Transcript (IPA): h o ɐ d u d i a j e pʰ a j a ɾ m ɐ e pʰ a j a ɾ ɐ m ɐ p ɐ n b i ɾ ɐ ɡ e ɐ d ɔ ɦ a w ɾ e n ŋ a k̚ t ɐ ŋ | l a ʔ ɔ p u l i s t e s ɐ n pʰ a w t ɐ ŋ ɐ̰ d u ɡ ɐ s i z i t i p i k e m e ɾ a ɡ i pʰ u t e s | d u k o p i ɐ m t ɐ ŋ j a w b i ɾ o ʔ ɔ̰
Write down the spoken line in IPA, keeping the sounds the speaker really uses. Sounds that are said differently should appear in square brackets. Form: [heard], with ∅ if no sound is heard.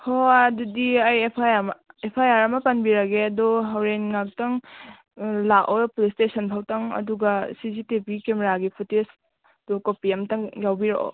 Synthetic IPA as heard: h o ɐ d u d i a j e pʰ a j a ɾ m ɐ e pʰ a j a ɾ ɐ m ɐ p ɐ n b i ɾ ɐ ɡ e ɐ d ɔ ɦ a w ɾ e n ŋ a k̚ t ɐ ŋ | l a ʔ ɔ p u l i s t e s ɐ n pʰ a w t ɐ ŋ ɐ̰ d u ɡ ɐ s i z i t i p i k e m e ɾ a ɡ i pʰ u t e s | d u k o p i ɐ m t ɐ ŋ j a w b i ɾ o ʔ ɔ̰